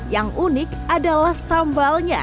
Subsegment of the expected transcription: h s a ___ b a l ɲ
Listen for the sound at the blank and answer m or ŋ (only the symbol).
m